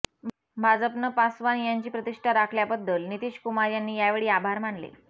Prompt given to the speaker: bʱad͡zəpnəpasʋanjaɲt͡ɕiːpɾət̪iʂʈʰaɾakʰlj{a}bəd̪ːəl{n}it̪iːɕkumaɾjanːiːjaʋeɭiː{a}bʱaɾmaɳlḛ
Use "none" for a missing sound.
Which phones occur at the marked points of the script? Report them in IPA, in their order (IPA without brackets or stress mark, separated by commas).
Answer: a, n, a